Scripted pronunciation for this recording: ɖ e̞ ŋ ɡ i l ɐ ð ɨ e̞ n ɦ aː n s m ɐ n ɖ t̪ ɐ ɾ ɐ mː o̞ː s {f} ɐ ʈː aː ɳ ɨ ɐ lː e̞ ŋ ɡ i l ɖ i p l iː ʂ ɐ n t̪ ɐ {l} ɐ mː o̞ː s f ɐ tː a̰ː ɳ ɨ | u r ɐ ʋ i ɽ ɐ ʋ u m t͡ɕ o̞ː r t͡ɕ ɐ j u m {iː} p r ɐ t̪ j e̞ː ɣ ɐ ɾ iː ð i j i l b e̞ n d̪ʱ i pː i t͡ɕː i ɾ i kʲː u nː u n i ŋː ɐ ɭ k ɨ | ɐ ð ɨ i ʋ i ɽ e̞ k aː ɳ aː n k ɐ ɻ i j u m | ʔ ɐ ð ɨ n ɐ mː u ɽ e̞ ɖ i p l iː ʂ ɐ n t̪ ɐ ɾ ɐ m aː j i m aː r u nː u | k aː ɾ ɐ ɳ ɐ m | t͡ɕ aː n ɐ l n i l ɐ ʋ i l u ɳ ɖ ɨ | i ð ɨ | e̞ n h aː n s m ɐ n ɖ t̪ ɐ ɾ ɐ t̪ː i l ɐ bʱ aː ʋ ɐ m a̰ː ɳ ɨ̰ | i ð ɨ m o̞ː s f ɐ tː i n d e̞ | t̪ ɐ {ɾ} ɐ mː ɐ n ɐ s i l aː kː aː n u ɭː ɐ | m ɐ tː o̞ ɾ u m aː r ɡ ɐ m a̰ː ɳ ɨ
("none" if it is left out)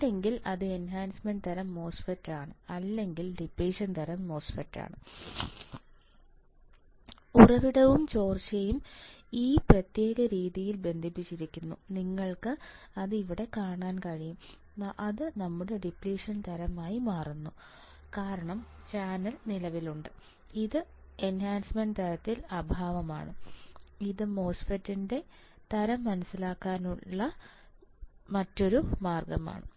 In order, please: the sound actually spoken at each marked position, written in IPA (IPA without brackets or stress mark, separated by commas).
f, ɾ, iː, ɾ